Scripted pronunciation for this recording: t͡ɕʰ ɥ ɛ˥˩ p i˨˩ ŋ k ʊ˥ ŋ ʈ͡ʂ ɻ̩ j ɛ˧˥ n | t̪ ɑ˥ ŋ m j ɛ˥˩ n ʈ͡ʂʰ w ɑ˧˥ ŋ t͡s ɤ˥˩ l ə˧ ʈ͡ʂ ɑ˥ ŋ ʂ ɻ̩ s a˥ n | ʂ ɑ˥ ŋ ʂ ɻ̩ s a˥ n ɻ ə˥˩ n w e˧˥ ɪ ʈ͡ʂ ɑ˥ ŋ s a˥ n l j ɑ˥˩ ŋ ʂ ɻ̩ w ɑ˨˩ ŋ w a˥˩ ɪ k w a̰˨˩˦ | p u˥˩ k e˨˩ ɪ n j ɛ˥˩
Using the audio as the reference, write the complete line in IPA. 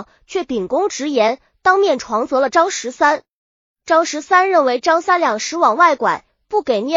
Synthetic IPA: t͡ɕʰ ɥ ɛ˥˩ p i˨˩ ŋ k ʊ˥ ŋ ʈ͡ʂ ɻ̩ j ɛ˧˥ n | t̪ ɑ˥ ŋ m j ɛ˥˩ n ʈ͡ʂʰ w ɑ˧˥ ŋ t͡s ɤ˧˥ l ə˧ ʈ͡ʂ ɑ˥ ŋ ʂ ɻ̩ s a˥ n | ʈ͡ʂ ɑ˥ ŋ ʂ ɻ̩ s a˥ n ɻ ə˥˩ n w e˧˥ ɪ ʈ͡ʂ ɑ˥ ŋ s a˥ n l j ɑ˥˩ ŋ ʂ ɻ̩ w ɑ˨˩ ŋ w a˥˩ ɪ k w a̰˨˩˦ | p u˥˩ k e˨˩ ɪ n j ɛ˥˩